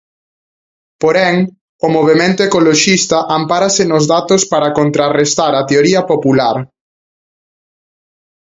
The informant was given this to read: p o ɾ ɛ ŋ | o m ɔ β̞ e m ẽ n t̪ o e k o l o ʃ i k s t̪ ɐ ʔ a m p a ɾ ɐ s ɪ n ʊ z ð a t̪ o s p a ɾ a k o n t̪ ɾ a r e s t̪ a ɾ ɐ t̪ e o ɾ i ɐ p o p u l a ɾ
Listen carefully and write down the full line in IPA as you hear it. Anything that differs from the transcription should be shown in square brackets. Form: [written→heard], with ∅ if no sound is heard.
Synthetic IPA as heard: p o ɾ ɛ ŋ | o m [ɔ→o] β̞ e m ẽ n t̪ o e k o l o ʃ i [k→∅] s t̪ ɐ ʔ a m p a ɾ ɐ s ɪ n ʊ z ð a t̪ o s p a ɾ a k o n t̪ ɾ a r e s t̪ a ɾ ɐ t̪ e o ɾ i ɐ p o p u l a ɾ